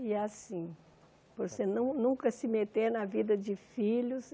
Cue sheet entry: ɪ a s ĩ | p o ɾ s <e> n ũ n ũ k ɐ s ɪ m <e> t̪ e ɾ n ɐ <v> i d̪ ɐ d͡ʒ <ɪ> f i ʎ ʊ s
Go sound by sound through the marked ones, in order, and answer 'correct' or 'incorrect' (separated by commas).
correct, correct, correct, correct